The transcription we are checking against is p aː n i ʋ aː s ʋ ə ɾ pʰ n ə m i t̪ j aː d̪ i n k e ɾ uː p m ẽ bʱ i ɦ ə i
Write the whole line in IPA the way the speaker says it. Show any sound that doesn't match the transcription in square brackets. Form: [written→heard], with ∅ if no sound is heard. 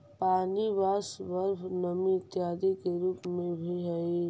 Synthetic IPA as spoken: p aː n i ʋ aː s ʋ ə ɾ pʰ n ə m i t̪ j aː d̪ i [n→∅] k e ɾ uː p m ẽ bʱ i ɦ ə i